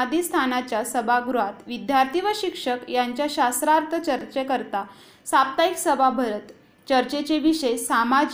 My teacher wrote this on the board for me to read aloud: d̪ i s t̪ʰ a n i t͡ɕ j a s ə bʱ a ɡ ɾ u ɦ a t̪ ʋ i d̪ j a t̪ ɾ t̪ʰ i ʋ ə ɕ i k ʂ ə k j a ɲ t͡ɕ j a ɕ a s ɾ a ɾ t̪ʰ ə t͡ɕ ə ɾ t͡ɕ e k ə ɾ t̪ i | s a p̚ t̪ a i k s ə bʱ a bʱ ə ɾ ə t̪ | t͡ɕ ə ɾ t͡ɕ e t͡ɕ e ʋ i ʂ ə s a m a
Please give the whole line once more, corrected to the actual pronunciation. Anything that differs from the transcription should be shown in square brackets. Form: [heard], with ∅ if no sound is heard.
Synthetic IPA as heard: d̪ i s t̪ʰ a n [a] t͡ɕ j a s ə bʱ a ɡ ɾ u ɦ a t̪ ʋ i d̪ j a [∅] ɾ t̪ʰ i ʋ ə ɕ i k ʂ ə k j a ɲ t͡ɕ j a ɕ a s ɾ a ɾ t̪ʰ ə t͡ɕ ə ɾ t͡ɕ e k ə ɾ t̪ [a] | s a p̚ t̪ a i k s ə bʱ a bʱ ə ɾ ə t̪ | t͡ɕ ə ɾ t͡ɕ e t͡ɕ e ʋ i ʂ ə s a m a